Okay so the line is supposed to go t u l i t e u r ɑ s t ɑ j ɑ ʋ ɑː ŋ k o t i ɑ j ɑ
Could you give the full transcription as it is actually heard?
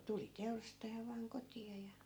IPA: t u l i t e u r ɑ s t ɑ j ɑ ʋ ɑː ŋ k o t i ɑ j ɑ